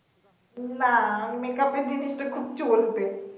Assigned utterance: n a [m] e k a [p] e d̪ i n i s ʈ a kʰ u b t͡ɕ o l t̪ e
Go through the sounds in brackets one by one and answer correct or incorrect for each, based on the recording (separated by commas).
correct, correct